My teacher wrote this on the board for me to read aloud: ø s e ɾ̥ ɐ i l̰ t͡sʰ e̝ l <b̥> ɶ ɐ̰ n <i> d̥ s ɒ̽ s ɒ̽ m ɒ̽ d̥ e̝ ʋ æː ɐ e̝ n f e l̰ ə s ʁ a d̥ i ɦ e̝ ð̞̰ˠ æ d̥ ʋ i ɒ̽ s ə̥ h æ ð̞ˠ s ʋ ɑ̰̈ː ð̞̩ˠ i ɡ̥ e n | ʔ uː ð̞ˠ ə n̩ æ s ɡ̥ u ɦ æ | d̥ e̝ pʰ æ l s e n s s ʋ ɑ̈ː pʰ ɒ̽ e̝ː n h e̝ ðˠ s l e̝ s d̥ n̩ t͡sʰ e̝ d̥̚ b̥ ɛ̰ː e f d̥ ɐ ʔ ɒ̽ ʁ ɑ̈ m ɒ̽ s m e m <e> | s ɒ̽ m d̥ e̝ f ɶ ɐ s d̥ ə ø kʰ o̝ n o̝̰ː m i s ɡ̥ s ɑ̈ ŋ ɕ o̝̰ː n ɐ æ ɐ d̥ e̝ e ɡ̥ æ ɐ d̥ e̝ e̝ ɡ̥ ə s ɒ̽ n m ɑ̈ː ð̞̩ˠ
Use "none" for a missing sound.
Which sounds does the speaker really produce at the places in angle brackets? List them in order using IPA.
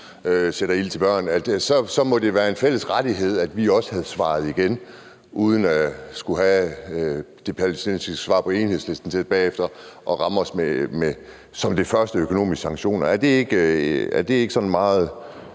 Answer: b̥, æ, e

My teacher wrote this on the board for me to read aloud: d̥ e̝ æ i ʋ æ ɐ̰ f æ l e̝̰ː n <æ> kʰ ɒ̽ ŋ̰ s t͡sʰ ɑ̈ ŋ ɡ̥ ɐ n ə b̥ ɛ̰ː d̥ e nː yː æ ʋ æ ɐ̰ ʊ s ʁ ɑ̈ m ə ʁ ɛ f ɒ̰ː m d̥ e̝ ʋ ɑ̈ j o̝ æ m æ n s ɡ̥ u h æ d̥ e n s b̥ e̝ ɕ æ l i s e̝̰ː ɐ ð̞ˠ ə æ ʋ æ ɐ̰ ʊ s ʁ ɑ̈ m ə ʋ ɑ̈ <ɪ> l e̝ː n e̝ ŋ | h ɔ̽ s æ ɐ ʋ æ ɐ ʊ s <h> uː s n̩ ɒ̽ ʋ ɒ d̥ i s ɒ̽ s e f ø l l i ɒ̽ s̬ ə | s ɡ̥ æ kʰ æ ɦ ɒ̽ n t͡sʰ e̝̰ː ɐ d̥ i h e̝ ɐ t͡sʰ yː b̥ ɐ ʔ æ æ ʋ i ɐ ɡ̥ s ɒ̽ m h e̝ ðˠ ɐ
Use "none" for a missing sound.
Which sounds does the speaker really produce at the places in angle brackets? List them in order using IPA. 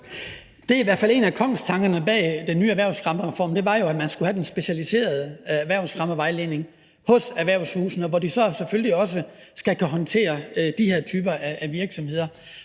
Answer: æ, ɪ, h

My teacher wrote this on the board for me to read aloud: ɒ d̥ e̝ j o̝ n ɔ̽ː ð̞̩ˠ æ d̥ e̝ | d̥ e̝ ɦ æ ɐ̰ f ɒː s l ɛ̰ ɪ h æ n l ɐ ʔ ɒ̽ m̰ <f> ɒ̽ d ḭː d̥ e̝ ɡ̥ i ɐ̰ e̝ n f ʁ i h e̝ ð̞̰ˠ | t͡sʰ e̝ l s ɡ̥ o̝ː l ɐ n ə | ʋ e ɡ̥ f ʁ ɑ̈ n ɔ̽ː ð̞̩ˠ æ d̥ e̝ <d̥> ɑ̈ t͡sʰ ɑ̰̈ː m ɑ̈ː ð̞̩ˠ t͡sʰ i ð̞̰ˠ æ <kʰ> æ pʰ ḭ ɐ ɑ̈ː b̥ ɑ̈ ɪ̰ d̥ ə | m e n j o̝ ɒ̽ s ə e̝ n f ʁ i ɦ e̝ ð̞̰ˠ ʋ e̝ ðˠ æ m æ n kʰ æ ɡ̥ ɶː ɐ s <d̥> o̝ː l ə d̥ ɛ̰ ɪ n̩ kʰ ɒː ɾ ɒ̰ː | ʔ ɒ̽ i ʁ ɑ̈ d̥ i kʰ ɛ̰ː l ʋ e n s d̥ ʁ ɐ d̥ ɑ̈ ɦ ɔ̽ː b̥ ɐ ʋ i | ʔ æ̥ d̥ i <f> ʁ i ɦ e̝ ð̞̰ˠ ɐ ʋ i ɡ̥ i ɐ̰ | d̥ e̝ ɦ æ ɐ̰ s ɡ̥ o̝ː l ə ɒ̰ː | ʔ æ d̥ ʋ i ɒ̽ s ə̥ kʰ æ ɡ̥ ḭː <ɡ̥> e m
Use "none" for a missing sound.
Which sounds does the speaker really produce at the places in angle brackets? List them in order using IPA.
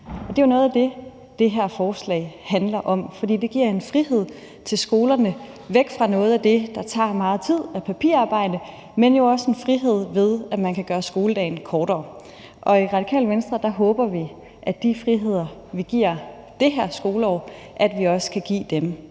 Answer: f, d̥, pʰ, ɡ̥, f, d̥

